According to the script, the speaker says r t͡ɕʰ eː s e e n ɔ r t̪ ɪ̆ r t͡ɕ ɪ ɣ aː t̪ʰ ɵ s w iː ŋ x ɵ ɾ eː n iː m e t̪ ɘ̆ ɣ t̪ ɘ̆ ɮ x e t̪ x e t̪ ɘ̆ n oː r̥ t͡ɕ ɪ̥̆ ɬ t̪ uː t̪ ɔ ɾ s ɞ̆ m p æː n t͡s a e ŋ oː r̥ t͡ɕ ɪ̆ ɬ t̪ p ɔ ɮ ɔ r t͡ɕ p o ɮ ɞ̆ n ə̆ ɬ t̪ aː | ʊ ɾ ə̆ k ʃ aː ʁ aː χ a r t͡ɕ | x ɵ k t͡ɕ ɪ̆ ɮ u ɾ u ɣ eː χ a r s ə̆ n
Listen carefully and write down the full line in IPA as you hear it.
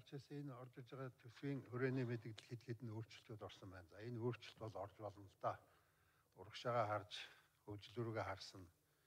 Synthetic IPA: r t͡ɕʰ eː s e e n ɔ r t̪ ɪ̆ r t͡ɕ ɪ ʁ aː t̪ʰ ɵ s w iː ŋ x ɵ ɾ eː n iː m e t̪ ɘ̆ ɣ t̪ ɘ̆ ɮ x e t̪ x e t̪ ɘ̆ n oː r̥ t͡ɕ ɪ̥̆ ɬ t̪ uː t̪ ɔ r s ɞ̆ m p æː n t͡s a e n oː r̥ t͡ɕ ɪ̆ ɬ t̪ p ɔ ɮ ɔ r t͡ɕ p ɔ ɮ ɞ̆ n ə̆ ɬ t̪ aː | ʊ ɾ ə̆ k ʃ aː ʁ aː χ a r t͡ɕ | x ɵ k t͡ɕ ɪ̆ ɮ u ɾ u ɣ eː χ a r s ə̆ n